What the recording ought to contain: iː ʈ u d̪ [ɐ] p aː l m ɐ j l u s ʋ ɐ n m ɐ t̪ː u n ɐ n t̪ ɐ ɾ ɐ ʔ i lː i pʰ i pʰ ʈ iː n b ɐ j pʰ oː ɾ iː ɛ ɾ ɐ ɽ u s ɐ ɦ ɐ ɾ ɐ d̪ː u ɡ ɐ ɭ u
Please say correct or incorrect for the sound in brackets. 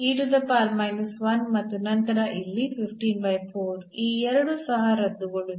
correct